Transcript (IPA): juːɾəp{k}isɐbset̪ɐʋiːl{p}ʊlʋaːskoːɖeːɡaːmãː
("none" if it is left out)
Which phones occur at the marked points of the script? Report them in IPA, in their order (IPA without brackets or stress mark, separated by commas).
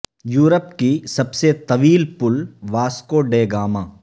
k, p